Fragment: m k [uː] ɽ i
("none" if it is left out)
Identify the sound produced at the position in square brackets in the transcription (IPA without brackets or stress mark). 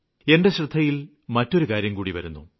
uː